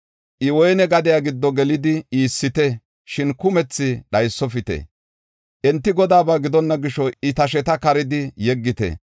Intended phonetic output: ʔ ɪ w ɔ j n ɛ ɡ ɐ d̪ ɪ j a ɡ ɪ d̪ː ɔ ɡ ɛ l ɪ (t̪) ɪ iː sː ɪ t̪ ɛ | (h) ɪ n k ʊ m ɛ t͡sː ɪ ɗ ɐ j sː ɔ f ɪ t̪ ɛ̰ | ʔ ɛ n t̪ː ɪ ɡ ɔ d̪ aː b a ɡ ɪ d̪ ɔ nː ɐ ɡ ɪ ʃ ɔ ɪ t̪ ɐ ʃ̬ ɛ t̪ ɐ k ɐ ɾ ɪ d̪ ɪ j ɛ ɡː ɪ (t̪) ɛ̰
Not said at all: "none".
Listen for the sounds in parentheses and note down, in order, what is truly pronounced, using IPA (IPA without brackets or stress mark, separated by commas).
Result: d̪, ʃ, t̪